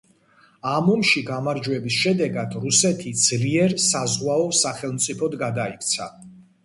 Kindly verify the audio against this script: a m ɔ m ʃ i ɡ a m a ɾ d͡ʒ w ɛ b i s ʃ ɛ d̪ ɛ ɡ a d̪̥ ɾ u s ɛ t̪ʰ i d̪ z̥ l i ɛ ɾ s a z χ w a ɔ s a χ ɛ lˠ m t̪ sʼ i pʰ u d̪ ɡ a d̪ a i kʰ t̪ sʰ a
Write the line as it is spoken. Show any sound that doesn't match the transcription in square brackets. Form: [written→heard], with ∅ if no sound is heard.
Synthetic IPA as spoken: a m ɔ m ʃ i ɡ a m a ɾ d͡ʒ w ɛ b i s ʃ ɛ d̪ ɛ ɡ a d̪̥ ɾ u s ɛ t̪ʰ i d̪ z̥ l i ɛ ɾ s a z [χ→ʁ] w a ɔ s a χ ɛ lˠ m t̪ sʼ i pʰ [u→ɔ] d̪ ɡ a d̪ a i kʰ t̪ sʰ a